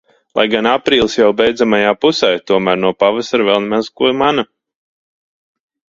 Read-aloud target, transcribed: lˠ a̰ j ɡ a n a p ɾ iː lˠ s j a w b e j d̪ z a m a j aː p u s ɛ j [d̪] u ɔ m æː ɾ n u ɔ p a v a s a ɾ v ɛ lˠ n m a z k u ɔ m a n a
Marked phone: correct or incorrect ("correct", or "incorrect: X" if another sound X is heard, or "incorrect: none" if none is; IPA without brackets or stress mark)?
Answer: incorrect: t̪